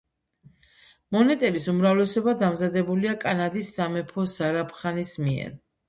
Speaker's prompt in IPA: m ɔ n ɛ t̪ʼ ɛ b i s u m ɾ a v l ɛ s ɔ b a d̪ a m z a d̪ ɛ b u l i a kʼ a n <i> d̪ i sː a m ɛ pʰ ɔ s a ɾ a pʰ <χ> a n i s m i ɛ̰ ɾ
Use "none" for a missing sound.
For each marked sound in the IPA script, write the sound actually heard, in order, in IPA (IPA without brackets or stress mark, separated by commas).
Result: a, χ